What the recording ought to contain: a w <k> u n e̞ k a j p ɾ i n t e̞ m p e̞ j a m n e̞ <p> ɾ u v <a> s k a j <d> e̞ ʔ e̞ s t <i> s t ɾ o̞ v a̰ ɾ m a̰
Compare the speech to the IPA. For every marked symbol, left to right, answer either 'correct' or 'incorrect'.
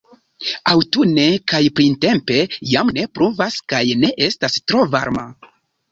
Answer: incorrect, correct, correct, incorrect, incorrect

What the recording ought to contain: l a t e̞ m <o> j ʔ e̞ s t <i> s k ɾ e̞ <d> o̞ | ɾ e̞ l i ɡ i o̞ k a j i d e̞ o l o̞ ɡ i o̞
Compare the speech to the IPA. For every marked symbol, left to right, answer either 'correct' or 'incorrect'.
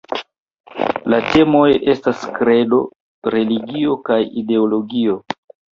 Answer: correct, incorrect, correct

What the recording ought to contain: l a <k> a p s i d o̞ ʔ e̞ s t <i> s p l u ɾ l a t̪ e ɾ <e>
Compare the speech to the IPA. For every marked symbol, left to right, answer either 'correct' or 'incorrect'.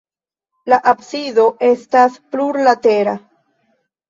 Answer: incorrect, incorrect, incorrect

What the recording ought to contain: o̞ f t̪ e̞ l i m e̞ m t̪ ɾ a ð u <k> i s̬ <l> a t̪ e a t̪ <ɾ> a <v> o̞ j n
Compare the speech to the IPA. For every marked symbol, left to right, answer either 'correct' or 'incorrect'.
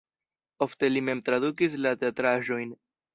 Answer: correct, correct, correct, incorrect

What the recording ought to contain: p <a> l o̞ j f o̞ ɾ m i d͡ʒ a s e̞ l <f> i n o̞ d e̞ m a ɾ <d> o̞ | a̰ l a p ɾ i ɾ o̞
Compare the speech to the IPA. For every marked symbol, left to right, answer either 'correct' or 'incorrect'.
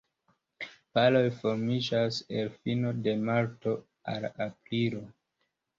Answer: correct, correct, incorrect

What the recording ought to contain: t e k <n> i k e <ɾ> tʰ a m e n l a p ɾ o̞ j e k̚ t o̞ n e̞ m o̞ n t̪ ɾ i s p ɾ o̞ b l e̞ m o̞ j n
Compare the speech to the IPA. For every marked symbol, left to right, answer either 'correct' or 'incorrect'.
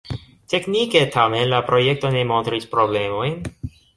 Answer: correct, incorrect

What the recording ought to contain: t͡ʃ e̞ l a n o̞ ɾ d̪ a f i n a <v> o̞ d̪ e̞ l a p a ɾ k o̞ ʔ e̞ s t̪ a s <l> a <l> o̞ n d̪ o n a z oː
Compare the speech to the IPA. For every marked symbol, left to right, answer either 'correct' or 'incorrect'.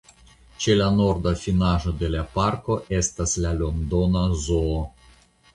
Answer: incorrect, correct, correct

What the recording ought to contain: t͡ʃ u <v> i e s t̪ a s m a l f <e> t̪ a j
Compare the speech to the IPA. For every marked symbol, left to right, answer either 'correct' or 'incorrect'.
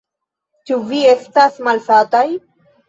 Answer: correct, incorrect

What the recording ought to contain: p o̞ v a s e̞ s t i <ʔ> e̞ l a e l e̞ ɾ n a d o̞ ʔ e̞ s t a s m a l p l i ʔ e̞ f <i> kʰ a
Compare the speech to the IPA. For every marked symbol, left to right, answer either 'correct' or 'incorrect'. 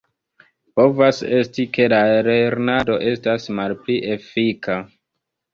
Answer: incorrect, correct

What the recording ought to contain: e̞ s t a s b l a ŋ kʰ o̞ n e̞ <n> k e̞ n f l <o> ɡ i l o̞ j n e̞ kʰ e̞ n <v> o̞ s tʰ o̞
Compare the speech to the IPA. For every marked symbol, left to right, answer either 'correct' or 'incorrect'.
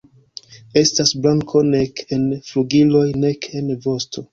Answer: incorrect, incorrect, correct

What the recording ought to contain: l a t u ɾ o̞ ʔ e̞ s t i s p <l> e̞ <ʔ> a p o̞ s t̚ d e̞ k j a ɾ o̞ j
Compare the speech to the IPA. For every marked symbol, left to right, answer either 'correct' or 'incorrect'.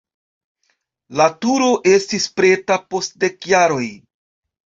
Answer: incorrect, incorrect

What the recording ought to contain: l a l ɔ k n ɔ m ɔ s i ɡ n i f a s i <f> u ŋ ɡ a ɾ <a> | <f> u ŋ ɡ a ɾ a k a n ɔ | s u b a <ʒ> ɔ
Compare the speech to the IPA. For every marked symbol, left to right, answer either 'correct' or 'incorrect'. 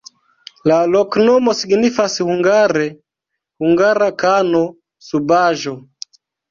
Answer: incorrect, incorrect, incorrect, correct

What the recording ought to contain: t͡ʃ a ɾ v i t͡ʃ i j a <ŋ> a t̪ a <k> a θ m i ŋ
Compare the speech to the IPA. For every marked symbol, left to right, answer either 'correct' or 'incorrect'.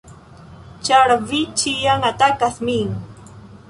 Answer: correct, correct

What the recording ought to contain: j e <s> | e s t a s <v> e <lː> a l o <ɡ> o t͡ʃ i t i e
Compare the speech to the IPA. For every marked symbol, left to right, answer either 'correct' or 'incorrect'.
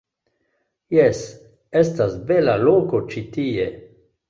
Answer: correct, incorrect, incorrect, incorrect

